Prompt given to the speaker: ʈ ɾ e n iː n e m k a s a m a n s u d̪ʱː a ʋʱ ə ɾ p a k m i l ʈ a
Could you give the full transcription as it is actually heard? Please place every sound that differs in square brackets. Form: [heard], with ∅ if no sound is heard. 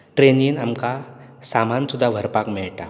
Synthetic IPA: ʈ ɾ e n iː n [a] m k a s a m a n s u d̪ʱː a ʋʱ ə ɾ p a k m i [ɭ] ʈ a